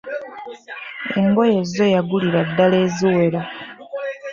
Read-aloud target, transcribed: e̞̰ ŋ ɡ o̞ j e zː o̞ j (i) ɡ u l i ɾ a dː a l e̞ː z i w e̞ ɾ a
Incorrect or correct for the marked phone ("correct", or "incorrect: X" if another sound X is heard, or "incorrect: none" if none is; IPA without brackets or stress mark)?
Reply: incorrect: a